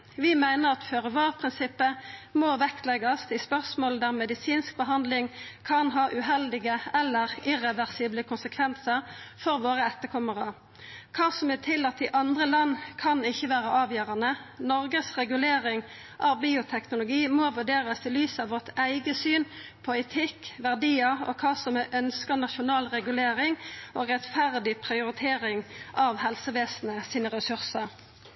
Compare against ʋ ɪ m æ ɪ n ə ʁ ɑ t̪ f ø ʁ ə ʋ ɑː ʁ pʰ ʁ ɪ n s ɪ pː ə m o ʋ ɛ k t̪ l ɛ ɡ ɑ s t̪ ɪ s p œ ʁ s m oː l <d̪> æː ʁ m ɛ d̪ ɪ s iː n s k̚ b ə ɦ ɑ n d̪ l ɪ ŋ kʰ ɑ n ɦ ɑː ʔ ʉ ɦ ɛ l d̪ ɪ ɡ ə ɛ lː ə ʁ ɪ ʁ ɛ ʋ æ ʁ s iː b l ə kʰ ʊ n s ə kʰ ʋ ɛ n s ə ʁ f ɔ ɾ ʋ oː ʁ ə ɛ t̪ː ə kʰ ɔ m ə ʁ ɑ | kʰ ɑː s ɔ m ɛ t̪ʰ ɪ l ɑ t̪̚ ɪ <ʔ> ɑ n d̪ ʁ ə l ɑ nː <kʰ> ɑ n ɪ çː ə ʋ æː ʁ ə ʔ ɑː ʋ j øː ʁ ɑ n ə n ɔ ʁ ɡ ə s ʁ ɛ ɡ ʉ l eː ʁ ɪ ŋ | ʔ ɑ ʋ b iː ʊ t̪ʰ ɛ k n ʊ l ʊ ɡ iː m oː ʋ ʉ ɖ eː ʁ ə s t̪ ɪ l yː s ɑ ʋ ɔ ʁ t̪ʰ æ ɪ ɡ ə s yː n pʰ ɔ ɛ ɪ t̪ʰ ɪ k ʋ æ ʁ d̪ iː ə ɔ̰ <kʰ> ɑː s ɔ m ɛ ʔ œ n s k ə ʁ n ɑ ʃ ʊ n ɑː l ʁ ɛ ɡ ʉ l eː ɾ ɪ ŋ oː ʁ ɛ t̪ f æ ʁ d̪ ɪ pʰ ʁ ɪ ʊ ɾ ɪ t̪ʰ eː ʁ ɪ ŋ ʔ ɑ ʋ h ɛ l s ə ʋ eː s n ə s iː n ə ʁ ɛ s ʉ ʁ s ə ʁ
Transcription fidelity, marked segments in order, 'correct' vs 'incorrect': correct, correct, correct, correct

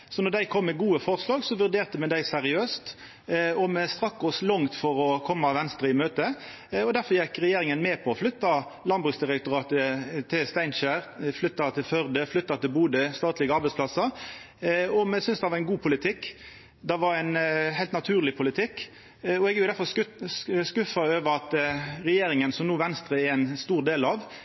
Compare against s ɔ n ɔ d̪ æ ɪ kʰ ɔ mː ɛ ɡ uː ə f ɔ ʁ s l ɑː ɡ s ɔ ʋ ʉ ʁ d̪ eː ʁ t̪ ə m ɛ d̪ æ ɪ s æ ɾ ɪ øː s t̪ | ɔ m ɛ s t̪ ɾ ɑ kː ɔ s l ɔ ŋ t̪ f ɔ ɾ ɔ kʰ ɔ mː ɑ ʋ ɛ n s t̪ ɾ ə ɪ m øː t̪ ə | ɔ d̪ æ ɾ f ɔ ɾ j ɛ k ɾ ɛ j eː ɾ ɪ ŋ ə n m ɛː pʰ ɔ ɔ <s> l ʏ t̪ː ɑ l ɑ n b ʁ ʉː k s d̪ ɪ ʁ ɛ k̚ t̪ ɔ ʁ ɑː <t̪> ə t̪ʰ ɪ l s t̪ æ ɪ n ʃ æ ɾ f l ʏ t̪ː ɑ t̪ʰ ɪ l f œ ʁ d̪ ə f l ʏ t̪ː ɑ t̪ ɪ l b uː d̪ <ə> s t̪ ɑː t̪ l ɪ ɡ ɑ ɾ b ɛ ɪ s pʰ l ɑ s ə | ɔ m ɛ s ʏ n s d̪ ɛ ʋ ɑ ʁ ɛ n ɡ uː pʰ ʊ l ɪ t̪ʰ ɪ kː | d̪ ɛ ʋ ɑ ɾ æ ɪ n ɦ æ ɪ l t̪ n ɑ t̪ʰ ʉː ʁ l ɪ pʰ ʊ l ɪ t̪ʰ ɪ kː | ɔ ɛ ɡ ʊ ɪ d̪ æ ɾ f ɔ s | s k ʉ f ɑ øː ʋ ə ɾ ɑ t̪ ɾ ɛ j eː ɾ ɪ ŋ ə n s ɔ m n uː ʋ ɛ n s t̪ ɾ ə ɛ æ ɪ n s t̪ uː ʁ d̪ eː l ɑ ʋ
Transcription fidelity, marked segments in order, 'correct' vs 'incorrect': incorrect: f, correct, correct

